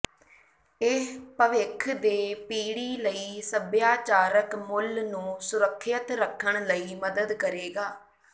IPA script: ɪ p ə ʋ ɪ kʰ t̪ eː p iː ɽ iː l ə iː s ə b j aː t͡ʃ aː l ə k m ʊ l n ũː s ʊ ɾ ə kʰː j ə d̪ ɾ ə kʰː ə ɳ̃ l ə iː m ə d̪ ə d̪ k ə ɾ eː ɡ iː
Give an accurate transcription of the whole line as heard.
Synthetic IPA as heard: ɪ p ə ʋ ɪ kʰ d̪ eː p iː ɽ iː l ə iː s ə b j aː t͡ʃ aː ɾ ə k m ʊ l n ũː s ʊ ɾ ə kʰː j ə t̪ ɾ ə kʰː ə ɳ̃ l ə iː m ə d̪ ə d̪ k ə ɾ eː ɡ aː

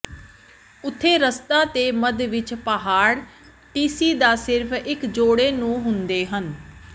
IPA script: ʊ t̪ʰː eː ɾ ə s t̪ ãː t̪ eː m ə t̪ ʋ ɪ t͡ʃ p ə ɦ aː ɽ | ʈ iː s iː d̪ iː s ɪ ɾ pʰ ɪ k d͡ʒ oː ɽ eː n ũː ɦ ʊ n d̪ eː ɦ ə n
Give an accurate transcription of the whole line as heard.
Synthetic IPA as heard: ʊ t̪ʰː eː ɾ ə s t̪ aː t̪ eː m ə d̪ ʋ ɪ t͡ʃ p ə ɦ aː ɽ | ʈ iː s iː d̪ aː s ɪ ɾ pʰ ɪ k d͡ʒ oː ɽ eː n ũː ɦ ʊ n d̪ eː ɦ ə n

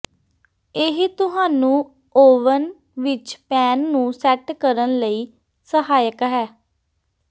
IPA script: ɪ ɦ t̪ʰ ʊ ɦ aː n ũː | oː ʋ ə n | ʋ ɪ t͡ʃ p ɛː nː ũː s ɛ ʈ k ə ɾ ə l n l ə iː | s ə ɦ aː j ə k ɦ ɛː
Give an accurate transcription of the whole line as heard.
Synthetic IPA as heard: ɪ ɦ t̪ ʊ ɦ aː n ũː | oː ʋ ə n | ʋ ɪ t͡ʃ p ɛː nː ũː s ɛ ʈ k ə ɾ ə n l ə iː | s ə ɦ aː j ə k ɦ ɛː

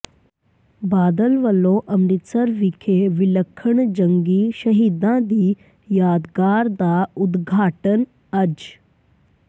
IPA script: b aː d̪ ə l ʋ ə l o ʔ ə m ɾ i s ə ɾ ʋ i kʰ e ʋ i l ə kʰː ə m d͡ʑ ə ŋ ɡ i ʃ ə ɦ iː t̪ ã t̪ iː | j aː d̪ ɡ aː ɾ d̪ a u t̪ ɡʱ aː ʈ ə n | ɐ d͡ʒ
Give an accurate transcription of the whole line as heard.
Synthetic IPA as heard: b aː d̪ ə l ʋ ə l o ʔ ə m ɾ i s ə ɾ ʋ i kʰ e ʋ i l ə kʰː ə ɳ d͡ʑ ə ŋ ɡ i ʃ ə ɦ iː d̪ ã d̪ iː | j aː d̪ ɡ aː ɾ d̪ a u d̪ ɡʱ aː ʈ ə n | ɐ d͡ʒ

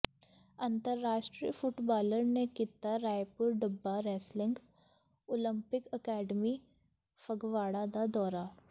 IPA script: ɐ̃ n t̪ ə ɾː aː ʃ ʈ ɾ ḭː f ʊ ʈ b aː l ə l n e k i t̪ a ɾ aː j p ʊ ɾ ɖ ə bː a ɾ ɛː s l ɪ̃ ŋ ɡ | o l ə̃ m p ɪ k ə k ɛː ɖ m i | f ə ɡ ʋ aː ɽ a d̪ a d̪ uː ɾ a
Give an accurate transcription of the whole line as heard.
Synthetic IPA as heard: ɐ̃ n t̪ ə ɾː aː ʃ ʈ ɾ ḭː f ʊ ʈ b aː l ə ɾ n e k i t̪ a ɾ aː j p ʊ ɾ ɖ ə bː a ɾ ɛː s l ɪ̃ ŋ ɡ | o l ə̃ m p ɪ k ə k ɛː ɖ m i | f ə ɡ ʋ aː ɽ a d̪ a d̪ ɔː ɾ a

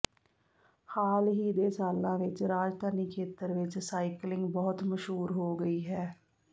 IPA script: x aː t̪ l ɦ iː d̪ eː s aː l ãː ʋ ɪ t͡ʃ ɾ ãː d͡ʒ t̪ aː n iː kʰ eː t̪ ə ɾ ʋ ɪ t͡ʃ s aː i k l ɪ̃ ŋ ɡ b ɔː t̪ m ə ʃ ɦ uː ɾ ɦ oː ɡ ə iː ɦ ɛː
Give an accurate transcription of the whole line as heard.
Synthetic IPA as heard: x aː l ɦ iː d̪ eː s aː l ãː ʋ ɪ t͡ʃ ɾ aː d͡ʒ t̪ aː n iː kʰ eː t̪ ə ɾ ʋ ɪ t͡ʃ s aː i k l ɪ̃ ŋ ɡ b ɔː t̪ m ə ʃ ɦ uː ɾ ɦ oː ɡ ə iː ɦ ɛː

